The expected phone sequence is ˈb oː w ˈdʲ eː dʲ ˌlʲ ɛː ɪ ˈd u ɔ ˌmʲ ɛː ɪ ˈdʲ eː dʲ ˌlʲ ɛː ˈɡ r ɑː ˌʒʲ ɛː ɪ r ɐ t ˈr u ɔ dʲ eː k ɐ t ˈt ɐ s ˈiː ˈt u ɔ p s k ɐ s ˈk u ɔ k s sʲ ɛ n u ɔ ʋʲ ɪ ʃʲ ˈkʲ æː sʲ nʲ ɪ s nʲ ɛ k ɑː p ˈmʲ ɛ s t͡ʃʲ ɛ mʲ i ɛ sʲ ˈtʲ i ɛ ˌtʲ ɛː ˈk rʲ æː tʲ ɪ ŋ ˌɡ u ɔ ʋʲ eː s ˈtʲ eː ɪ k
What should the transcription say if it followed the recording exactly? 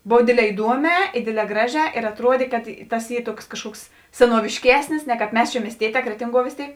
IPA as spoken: ˈb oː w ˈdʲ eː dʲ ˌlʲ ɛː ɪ ˈd u ɔ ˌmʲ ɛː ɪ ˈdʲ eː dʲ ˌlʲ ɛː ˈɡ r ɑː ˌʒʲ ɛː ɪ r ɐ t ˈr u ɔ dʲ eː k ɐ t ˈt ɐ s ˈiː ˈt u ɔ k s k ɐ ʃ ˈk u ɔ k s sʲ ɛ n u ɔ ʋʲ ɪ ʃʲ ˈkʲ æː sʲ nʲ ɪ s nʲ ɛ k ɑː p ˈmʲ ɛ s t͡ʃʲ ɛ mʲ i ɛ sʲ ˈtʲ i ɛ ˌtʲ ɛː ˈk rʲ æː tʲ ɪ ŋ ˌɡ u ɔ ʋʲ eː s ˈtʲ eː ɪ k